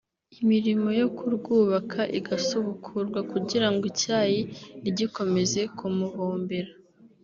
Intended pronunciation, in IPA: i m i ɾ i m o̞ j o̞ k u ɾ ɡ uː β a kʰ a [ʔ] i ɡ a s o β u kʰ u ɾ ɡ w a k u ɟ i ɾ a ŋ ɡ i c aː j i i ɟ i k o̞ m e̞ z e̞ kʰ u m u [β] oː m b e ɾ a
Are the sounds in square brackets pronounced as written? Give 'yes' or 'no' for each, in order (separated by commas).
yes, yes